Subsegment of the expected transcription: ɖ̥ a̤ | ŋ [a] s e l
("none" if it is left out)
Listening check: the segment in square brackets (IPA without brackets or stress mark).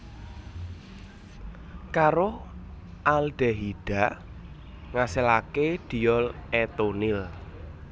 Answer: a